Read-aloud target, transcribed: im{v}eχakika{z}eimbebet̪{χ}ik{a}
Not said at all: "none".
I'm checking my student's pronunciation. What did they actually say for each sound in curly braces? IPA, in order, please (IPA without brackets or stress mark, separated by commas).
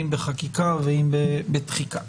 b, v, χ, a